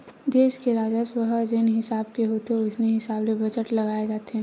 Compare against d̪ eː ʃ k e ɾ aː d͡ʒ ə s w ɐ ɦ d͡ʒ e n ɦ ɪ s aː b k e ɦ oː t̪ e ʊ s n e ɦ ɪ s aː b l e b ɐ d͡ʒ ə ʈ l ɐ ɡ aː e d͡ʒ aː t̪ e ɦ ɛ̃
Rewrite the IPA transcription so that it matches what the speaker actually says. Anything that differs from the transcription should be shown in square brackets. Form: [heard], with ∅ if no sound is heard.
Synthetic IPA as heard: d̪ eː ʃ k e ɾ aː d͡ʒ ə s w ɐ ɦ d͡ʒ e n ɦ ɪ s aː b k e ɦ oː t̪ e ʊ s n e ɦ ɪ s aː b l e b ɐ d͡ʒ ə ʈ l ɐ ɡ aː e d͡ʒ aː t̪ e ɦ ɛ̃